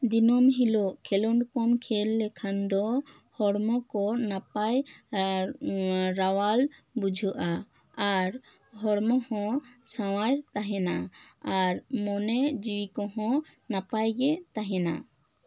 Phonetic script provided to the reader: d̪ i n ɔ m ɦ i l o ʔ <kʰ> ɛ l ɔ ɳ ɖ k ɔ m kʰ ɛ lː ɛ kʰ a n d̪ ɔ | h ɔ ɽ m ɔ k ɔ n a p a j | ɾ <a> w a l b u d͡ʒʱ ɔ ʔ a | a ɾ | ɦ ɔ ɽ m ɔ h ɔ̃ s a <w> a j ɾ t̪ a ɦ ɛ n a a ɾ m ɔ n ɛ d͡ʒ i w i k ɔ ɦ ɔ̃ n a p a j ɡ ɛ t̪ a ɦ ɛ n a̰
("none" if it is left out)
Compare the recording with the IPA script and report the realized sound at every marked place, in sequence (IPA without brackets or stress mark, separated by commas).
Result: kʰ, a, w